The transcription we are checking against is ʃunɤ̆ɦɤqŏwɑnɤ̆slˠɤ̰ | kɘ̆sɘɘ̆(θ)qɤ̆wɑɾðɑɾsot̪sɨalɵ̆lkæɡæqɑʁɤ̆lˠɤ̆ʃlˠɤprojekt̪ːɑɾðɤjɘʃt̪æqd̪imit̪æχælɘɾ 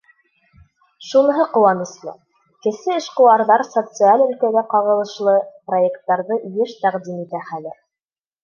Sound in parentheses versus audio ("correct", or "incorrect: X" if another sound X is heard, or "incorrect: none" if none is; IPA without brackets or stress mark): incorrect: ʃ